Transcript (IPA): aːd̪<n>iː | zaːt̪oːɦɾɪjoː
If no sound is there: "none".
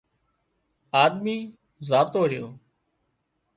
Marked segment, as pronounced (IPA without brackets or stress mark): m